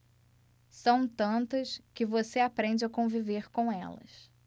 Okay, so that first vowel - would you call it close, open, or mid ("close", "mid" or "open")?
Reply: open